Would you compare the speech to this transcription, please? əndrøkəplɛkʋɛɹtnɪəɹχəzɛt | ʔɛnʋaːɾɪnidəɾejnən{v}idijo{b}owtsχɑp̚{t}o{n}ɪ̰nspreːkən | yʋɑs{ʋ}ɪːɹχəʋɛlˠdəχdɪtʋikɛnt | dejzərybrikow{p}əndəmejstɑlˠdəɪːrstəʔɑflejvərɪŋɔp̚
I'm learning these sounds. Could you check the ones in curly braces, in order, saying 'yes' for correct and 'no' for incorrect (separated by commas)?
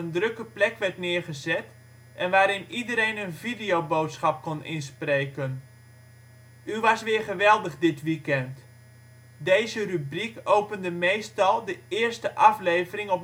yes, yes, no, yes, yes, yes